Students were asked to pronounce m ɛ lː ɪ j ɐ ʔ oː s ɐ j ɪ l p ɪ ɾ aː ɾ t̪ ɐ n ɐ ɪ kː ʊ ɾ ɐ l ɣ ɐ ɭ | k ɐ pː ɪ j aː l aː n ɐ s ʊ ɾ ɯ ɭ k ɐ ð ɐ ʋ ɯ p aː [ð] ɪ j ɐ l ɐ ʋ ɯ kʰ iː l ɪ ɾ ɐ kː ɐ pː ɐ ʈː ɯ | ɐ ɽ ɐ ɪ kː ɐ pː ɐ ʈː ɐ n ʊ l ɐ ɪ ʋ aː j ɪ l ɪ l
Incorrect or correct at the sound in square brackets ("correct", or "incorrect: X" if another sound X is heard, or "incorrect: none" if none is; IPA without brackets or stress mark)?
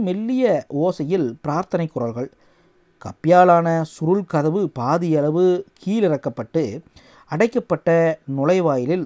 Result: correct